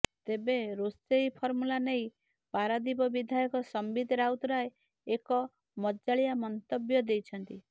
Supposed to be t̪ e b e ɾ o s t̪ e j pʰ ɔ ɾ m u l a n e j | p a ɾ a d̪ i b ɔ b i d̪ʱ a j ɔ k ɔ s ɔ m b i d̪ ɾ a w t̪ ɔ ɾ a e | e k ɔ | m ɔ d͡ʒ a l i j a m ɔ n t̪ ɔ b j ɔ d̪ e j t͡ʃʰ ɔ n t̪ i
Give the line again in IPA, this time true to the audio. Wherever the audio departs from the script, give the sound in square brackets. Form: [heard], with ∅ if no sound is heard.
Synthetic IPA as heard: t̪ e b e ɾ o s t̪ e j pʰ ɔ ɾ m u l a n e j | p a ɾ a d̪ i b ɔ b i d̪ʱ a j ɔ k ɔ s ɔ m b i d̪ ɾ a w t̪ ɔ ɾ a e | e k ɔ | m ɔ d͡ʒ a [ɭ] i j a m ɔ n t̪ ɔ b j ɔ d̪ e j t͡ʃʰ ɔ n t̪ i